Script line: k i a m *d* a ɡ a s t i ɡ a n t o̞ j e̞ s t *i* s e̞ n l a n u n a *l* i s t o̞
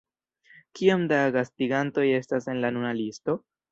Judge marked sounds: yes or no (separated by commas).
yes, no, yes